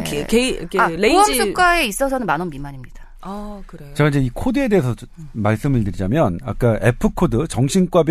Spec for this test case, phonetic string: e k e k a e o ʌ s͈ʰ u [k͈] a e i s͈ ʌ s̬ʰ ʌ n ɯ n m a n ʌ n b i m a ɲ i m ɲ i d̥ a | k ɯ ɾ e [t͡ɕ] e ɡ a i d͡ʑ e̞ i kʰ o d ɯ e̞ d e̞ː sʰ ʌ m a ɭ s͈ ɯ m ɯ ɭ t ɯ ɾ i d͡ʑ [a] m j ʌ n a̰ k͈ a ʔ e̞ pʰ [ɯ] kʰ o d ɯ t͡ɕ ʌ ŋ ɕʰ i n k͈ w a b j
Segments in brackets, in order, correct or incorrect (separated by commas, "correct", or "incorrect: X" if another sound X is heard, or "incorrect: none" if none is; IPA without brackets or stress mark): correct, correct, correct, correct